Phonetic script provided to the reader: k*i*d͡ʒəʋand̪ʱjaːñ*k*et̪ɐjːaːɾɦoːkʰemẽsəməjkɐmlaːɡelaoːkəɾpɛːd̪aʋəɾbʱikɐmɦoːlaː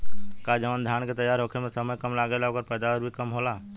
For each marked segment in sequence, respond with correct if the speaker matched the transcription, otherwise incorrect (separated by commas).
incorrect, correct